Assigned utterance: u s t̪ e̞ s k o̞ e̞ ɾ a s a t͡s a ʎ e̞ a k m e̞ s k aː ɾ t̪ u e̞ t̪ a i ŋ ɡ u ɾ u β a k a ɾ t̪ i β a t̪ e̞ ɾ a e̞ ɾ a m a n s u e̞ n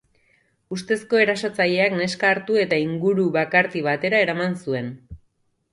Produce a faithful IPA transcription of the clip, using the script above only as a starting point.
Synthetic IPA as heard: u s t̪ e̞ s k o̞ e̞ ɾ a s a t͡s a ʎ e̞ a k n e̞ s k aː ɾ t̪ u e̞ t̪ a i ŋ ɡ u ɾ u β a k a ɾ t̪ i β a t̪ e̞ ɾ a e̞ ɾ a m a n s u e̞ n